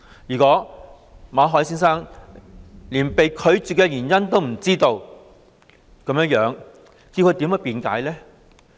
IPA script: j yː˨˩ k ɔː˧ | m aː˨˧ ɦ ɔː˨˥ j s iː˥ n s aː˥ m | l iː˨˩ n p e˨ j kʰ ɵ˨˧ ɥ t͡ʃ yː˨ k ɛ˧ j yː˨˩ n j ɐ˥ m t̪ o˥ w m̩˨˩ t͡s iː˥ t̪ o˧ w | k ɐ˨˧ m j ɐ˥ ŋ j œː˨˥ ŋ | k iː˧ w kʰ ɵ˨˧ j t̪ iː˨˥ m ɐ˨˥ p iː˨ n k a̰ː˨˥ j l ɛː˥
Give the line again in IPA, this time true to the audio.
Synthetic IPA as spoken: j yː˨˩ k ɔː˨˥ | m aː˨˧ ɦ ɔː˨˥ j s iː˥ n s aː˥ ŋ | l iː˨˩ n p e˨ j kʰ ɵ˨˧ ɥ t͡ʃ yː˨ k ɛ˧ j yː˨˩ n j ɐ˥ n t̪ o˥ w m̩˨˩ t͡s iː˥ t̪ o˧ w | k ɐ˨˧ m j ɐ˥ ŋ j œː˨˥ ŋ | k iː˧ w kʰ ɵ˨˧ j t̪ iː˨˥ m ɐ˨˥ p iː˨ n k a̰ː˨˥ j l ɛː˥